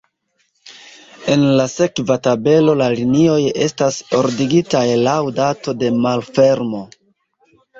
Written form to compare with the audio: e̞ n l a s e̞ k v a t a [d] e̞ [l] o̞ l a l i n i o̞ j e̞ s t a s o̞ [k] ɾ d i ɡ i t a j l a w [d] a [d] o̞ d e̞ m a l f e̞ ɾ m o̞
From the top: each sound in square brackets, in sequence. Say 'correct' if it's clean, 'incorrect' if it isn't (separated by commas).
incorrect, correct, incorrect, correct, incorrect